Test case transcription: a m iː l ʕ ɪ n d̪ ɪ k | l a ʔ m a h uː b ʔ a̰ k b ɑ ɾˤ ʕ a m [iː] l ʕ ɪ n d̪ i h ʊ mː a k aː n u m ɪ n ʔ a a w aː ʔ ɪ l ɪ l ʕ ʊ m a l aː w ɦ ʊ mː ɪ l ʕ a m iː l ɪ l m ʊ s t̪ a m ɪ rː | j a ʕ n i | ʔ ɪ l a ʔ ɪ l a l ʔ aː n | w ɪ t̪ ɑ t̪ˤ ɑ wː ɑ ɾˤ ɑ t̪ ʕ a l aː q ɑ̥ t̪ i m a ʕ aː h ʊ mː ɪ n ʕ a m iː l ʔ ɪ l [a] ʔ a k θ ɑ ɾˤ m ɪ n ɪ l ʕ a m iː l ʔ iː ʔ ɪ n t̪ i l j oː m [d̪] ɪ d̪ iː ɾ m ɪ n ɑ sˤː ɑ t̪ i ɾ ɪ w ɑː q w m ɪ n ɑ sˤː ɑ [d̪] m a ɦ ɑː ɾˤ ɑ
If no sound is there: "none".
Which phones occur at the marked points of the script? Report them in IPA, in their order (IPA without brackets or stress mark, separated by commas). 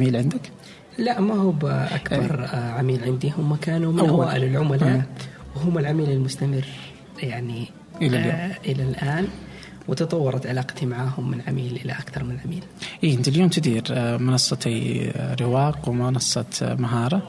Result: iː, a, t̪, t̪